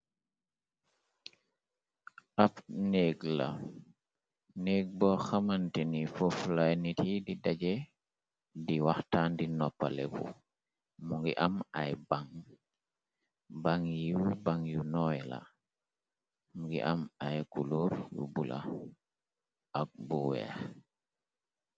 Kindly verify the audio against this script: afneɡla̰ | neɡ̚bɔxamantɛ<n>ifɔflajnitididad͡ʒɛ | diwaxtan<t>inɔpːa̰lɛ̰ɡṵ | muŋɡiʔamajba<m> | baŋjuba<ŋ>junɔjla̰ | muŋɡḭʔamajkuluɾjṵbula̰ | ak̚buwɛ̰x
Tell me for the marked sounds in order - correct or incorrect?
correct, incorrect: d, incorrect: ŋ, correct

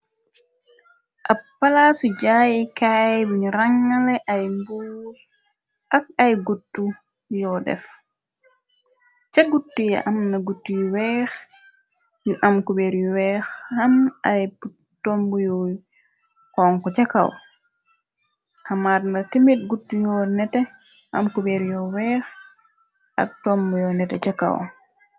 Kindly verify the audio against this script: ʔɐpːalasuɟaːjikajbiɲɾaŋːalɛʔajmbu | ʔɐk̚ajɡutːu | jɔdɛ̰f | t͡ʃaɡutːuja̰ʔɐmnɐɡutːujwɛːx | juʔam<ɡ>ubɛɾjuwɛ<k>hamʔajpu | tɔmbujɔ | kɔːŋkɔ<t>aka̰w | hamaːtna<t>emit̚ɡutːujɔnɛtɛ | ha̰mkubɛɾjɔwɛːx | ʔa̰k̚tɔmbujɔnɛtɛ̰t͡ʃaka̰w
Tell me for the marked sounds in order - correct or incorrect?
incorrect: k, incorrect: x, incorrect: t͡ʃ, correct

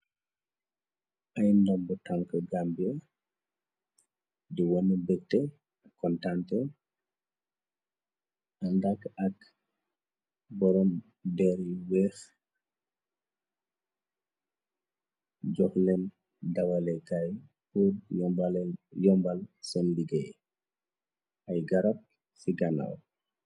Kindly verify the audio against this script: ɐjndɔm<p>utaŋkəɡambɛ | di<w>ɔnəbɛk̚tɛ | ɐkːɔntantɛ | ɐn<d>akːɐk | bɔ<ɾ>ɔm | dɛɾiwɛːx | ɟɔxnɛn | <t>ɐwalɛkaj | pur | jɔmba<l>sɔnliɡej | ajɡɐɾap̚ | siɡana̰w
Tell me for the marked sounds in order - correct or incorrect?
incorrect: b, correct, correct, correct, incorrect: d, correct

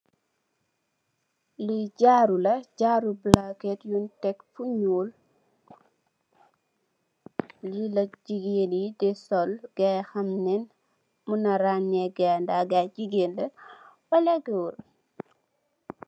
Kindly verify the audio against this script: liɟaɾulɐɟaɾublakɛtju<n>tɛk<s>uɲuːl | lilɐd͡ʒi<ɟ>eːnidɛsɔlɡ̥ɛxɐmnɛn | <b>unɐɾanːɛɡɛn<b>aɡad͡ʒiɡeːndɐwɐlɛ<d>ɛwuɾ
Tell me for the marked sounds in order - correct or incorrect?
correct, incorrect: f, incorrect: ɡ, incorrect: m, incorrect: d, incorrect: ɡ

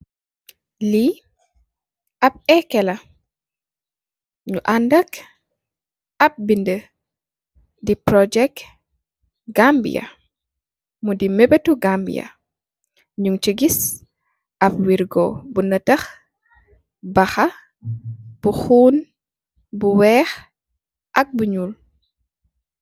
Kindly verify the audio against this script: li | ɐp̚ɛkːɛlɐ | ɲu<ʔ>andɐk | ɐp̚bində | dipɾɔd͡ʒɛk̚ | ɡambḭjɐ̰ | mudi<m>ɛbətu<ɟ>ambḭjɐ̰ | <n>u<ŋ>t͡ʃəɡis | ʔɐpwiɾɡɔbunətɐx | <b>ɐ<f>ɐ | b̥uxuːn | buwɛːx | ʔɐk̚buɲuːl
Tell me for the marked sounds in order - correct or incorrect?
correct, correct, incorrect: ɡ, incorrect: ɲ, correct, correct, incorrect: x

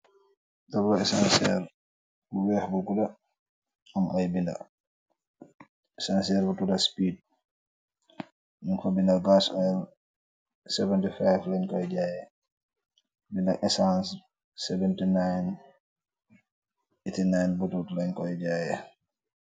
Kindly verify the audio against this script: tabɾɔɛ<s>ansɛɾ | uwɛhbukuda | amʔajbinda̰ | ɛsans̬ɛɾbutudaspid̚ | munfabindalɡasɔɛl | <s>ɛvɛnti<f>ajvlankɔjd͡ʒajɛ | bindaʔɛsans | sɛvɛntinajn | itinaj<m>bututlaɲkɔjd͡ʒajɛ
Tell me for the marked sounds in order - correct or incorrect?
correct, correct, correct, incorrect: n

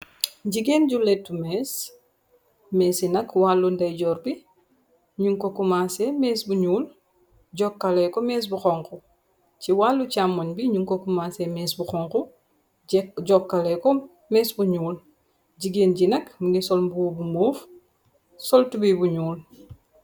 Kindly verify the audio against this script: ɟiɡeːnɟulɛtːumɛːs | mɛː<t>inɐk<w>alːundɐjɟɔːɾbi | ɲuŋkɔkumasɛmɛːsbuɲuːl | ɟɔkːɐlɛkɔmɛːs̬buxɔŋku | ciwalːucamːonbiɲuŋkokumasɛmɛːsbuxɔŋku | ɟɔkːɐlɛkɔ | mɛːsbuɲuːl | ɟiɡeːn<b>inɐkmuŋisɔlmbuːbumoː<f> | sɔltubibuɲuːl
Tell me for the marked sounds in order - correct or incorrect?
incorrect: s, correct, incorrect: ɟ, correct

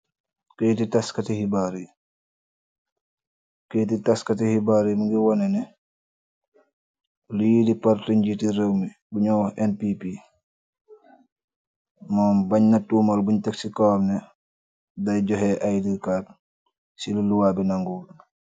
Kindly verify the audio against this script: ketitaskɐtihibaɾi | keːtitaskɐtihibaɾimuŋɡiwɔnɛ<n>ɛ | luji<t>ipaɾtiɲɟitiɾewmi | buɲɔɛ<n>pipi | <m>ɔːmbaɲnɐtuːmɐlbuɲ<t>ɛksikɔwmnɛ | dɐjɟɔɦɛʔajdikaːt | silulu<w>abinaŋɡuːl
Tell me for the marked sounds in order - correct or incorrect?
correct, incorrect: d, correct, correct, correct, correct

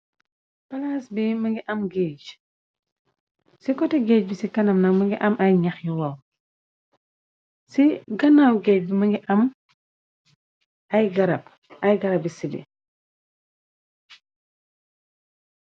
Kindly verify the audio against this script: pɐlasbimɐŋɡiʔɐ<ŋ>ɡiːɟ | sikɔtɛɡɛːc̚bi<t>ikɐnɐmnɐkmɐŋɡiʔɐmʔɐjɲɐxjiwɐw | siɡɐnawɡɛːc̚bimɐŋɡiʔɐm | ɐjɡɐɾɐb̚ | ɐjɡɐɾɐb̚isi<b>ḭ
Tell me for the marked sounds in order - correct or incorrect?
incorrect: m, incorrect: s, correct

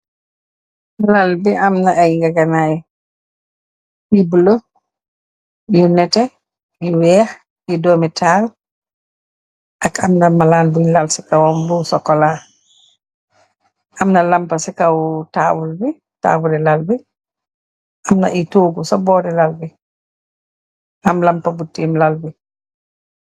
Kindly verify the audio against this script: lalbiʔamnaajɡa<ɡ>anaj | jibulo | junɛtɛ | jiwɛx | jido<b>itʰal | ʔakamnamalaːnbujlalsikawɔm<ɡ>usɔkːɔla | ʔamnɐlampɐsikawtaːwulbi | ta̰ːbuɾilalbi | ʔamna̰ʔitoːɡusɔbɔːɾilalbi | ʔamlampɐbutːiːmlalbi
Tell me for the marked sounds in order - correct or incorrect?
correct, incorrect: m, incorrect: b

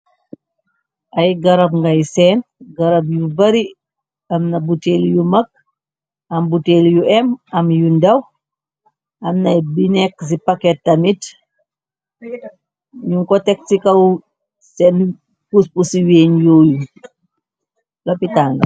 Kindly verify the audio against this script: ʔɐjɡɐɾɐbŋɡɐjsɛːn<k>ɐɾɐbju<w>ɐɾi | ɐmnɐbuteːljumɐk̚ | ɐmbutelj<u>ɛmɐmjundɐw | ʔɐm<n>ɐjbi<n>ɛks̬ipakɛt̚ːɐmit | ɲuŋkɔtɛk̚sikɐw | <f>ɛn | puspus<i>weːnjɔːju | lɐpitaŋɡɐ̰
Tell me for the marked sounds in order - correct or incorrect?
incorrect: ɡ, incorrect: b, correct, correct, correct, incorrect: s, correct

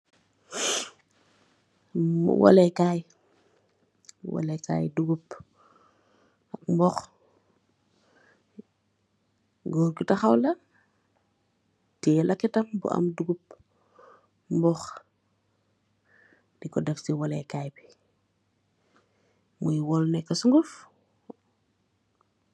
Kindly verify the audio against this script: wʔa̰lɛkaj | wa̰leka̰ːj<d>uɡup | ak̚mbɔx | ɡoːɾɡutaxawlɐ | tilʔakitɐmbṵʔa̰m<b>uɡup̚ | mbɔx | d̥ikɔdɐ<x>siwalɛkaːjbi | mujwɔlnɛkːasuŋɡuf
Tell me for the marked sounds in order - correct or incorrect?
correct, incorrect: d, incorrect: f

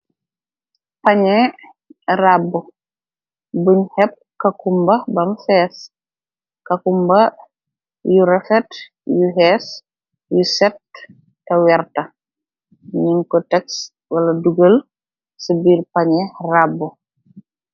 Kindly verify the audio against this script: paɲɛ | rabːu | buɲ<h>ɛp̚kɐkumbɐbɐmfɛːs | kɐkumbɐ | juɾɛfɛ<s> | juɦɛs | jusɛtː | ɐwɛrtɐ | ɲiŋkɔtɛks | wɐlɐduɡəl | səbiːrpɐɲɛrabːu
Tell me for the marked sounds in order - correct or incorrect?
correct, incorrect: t

